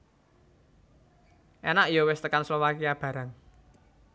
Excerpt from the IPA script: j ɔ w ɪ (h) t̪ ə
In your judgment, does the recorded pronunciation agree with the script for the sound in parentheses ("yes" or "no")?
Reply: no